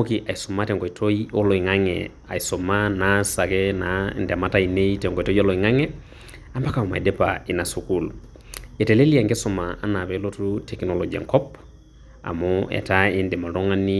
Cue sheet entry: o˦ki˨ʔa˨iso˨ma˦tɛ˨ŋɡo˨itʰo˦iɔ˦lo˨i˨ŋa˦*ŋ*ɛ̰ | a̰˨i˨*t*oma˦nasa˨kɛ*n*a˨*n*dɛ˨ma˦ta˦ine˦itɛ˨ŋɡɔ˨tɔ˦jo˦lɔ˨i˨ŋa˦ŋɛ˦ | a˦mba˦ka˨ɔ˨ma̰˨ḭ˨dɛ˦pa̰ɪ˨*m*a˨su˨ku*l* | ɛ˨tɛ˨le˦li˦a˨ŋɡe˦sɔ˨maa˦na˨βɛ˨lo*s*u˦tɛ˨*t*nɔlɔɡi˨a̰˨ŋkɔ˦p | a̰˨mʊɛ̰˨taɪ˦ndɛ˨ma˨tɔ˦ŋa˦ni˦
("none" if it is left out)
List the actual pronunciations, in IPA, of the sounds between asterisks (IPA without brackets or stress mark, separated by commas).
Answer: ŋ, s, n, n, n, l, t, k